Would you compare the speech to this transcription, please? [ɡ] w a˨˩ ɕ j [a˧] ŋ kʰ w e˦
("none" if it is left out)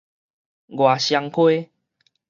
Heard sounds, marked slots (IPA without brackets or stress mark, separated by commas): ɡ, a˧